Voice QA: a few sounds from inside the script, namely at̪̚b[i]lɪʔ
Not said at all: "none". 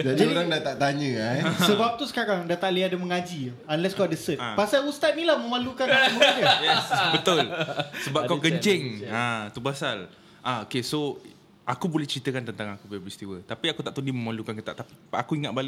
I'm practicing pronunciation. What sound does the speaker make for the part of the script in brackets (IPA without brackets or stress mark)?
a